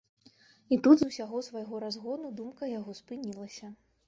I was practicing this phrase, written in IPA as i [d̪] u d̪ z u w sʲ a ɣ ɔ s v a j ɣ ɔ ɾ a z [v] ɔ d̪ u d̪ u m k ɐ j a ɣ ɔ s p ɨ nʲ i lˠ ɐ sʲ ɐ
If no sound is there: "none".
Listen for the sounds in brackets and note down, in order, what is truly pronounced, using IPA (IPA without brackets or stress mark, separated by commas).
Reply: t̪, ɣ